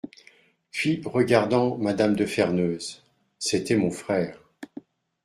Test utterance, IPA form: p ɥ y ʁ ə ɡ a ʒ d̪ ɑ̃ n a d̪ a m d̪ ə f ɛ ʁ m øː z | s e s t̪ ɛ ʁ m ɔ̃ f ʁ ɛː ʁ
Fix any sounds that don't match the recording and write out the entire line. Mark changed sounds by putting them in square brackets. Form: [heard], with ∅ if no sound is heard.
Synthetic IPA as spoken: p ɥ [i] ʁ ə ɡ a [ʁ] d̪ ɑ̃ [m] a d̪ a m d̪ ə f ɛ ʁ [n] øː z | s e [∅] t̪ ɛ [∅] m ɔ̃ f [χ] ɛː ʁ

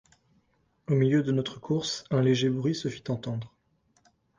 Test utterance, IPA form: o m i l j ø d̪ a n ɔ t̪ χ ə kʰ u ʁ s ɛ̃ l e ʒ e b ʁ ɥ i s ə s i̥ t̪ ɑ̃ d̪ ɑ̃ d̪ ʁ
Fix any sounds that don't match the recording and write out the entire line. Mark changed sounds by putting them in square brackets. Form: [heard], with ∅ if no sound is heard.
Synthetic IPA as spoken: o m i l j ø d̪ [ə] n ɔ t̪ χ ə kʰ u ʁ s ɛ̃ l e ʒ e b ʁ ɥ i s ə [f] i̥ t̪ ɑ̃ [t̪] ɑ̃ d̪ ʁ

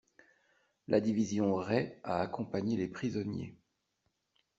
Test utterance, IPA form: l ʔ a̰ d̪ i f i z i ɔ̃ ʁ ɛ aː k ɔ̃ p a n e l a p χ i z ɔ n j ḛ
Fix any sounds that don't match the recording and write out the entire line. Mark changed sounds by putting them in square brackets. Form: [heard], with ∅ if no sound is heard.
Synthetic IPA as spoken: l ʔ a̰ d̪ i [v] i z [j] ɔ̃ ʁ ɛ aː k ɔ̃ p a [ɲ] e l [e] p χ i z ɔ n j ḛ

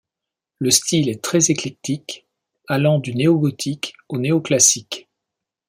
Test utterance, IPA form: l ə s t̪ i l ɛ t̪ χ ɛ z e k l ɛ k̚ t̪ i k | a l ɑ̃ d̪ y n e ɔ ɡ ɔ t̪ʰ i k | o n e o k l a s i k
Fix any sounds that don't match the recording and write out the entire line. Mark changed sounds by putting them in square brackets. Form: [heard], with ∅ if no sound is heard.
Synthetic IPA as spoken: l ə s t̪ i l ɛ t̪ χ ɛ z e k l ɛ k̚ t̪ i k | a l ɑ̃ d̪ y n e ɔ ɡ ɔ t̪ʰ i k | o n e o k l a s i k

